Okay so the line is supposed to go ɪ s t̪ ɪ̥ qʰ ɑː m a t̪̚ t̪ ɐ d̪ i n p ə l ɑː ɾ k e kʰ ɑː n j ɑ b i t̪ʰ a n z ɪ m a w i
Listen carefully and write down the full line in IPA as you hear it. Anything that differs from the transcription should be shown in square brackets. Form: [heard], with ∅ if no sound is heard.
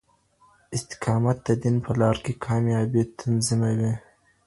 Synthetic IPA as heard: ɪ s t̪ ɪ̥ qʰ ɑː m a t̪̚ [d̪] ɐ d̪ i n p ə l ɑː ɾ k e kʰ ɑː [m] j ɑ b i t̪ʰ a n z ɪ m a w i